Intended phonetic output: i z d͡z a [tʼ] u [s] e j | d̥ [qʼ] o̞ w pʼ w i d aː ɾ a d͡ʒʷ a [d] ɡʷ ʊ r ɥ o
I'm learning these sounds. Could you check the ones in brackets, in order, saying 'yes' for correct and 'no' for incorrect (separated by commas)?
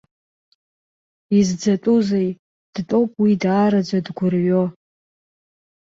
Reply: yes, no, no, yes